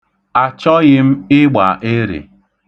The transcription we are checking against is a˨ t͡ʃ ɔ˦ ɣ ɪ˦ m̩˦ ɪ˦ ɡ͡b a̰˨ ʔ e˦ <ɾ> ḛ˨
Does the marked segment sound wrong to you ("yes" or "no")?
no